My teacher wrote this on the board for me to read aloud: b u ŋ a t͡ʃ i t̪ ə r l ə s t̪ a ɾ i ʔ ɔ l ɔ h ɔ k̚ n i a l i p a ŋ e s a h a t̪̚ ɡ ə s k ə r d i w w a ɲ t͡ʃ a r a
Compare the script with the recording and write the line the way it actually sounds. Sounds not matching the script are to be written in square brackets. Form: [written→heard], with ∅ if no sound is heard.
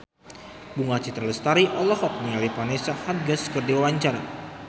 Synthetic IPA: b u ŋ a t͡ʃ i t̪ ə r l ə s t̪ a ɾ i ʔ ɔ l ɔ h ɔ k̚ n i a l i p a [ŋ→n] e s a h a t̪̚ ɡ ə s k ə r d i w w a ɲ t͡ʃ a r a